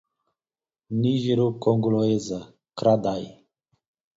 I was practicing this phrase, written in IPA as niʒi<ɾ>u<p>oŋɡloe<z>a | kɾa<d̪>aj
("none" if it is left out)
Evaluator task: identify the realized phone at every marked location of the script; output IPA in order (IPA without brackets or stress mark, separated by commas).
ɾ, k, z, d̪